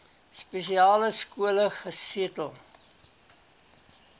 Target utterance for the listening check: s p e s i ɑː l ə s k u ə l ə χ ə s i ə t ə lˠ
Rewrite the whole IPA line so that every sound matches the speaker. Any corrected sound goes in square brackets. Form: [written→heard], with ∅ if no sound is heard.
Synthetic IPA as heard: s p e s i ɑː l ə s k u ə l ə χ ə s i ə t ə lˠ